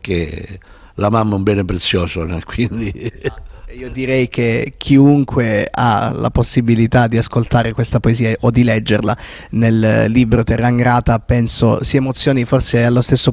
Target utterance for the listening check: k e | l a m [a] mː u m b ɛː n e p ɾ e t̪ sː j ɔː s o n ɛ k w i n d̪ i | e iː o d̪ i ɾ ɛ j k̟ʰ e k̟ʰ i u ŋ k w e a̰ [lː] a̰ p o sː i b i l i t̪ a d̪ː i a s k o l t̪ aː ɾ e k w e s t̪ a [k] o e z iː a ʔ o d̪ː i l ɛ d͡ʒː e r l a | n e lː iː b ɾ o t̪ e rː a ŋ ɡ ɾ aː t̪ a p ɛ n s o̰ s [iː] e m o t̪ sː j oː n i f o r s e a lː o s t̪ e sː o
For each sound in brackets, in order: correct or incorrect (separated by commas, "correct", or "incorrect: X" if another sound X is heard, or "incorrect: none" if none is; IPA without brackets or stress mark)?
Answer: correct, incorrect: l, incorrect: p, incorrect: i